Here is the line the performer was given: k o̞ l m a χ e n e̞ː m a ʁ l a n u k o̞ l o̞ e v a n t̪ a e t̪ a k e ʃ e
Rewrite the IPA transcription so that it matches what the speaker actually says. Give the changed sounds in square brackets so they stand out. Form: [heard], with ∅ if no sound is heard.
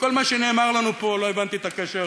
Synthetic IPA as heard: k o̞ l m a [ʃ] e n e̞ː m a ʁ l a n u [p] o̞ l o̞ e v a n t̪ [i] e t̪ a k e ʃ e